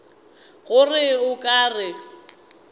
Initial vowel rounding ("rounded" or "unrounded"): rounded